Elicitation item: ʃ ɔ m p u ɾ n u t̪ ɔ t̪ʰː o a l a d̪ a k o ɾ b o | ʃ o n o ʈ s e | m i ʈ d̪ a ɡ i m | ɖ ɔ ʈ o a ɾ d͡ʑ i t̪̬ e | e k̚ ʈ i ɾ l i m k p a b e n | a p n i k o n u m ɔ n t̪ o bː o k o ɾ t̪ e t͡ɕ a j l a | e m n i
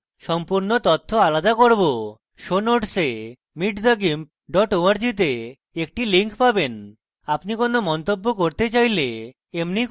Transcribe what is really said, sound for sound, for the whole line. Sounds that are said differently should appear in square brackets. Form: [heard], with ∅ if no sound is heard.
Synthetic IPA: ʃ ɔ m p u ɾ n [o] t̪ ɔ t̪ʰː o a l a d̪ a k o ɾ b o | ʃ o n o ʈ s e | m i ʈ d̪ a ɡ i m | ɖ ɔ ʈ o a ɾ d͡ʑ i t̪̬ e | e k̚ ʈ i [∅] l i [ŋ] k p a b e n | a p n i k o n [o] m ɔ n t̪ o bː o k o ɾ t̪ e t͡ɕ a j l [e] | e m n i